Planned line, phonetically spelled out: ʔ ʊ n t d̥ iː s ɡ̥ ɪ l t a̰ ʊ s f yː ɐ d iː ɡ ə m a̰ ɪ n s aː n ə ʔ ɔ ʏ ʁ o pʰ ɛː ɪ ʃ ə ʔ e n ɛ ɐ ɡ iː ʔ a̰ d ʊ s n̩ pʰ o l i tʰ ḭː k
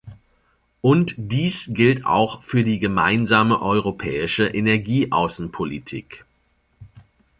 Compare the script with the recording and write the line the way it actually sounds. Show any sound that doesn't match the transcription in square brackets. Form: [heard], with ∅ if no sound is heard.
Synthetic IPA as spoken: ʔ ʊ n t d̥ iː s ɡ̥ ɪ l t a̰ ʊ [x] f yː ɐ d iː ɡ ə m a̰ ɪ n [z] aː [m] ə ʔ ɔ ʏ ʁ o pʰ ɛː ɪ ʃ ə ʔ e n ɛ ɐ ɡ iː ʔ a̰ [∅] ʊ s n̩ pʰ o l i tʰ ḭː k